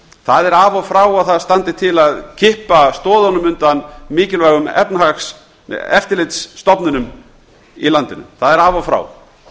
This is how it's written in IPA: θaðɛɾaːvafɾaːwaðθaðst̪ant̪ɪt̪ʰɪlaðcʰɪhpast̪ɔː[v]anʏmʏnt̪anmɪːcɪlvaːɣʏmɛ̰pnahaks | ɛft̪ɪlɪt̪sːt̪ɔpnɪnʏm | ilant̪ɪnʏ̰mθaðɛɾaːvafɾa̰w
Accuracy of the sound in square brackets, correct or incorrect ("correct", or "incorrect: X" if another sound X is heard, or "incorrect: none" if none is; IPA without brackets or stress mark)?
incorrect: ð